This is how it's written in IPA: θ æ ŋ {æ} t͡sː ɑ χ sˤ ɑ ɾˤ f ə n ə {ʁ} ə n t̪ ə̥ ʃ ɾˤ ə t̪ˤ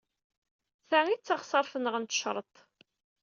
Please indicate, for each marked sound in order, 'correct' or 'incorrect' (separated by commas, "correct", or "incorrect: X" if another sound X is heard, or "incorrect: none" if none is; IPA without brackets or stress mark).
incorrect: i, correct